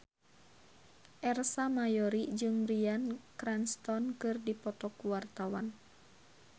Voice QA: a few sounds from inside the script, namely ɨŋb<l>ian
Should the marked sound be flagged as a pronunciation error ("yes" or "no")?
yes